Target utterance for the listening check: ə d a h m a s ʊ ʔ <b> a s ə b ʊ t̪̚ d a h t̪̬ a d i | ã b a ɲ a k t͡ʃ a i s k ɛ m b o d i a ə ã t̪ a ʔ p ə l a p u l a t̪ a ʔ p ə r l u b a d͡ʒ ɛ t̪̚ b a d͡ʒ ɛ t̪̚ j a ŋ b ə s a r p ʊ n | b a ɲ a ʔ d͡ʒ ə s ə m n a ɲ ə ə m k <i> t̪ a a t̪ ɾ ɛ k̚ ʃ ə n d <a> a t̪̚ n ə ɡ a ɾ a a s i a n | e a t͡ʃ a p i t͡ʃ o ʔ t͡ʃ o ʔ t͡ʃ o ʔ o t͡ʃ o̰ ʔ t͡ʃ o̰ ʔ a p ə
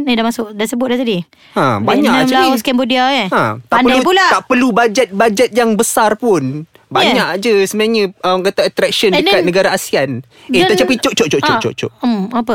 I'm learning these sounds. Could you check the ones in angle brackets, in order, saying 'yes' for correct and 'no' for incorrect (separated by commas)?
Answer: no, no, no